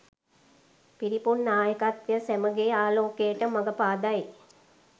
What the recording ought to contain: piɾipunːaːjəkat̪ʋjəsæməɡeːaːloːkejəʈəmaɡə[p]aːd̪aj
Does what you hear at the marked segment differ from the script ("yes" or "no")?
no